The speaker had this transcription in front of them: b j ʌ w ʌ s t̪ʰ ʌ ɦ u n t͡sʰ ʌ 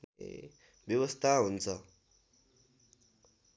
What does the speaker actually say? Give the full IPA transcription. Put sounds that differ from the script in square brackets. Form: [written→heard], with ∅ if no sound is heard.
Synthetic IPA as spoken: b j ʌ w ʌ s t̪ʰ [ʌ→a] ɦ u n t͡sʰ ʌ